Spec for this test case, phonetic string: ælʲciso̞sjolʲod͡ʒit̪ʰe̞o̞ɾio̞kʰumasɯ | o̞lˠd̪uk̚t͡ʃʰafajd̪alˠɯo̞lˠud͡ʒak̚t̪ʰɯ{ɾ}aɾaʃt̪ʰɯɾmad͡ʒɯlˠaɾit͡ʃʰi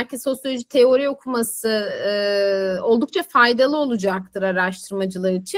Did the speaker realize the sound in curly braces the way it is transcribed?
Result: yes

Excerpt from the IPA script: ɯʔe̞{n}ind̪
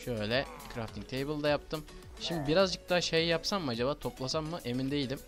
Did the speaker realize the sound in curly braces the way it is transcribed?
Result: no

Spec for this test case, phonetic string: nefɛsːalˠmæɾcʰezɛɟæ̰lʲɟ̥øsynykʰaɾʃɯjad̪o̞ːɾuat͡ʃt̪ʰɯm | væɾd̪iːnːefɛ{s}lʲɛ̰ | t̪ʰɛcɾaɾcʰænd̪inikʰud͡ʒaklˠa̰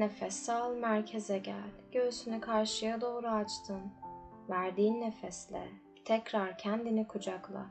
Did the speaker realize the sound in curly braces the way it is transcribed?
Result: yes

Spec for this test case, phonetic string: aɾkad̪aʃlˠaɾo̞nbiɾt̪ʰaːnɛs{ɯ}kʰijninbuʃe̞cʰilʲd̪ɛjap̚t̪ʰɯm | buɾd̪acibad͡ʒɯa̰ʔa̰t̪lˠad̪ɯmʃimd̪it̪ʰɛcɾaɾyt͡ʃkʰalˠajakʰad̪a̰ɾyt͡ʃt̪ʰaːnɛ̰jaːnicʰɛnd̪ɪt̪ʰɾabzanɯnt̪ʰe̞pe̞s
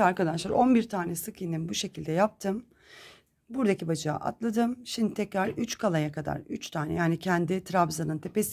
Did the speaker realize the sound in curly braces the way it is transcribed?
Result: yes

